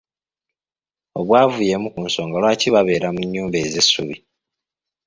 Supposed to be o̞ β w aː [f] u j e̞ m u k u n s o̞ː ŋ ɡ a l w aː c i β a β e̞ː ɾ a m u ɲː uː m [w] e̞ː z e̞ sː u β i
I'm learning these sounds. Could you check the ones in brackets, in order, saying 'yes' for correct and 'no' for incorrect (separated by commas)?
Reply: no, no